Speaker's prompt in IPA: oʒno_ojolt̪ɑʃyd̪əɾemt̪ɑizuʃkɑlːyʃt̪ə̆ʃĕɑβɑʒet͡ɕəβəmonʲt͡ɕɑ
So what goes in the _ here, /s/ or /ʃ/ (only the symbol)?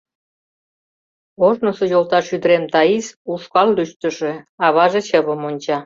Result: s